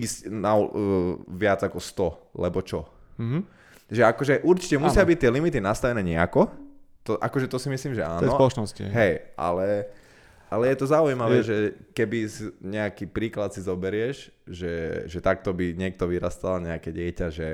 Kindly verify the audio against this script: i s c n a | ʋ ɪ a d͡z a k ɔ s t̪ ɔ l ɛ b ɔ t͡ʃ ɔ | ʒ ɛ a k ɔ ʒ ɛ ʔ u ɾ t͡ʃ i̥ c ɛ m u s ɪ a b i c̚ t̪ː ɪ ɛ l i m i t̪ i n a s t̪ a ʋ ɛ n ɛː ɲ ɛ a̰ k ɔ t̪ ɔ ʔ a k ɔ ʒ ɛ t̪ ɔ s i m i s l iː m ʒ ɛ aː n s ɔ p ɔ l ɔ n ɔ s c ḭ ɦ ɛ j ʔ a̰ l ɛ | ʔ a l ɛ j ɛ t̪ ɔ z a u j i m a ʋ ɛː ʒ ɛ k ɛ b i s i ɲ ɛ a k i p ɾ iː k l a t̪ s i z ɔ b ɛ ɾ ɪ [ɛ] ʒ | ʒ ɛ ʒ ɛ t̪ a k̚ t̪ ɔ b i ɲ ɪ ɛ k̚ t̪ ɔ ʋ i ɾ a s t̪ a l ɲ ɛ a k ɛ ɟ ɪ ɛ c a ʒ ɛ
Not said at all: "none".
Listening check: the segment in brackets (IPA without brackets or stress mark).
ɛ